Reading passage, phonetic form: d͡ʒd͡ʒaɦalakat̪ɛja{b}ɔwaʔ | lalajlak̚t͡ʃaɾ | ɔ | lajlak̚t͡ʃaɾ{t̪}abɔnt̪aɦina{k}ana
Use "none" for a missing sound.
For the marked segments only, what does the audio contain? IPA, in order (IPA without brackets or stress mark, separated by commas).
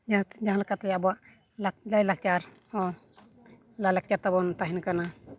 b, t̪, k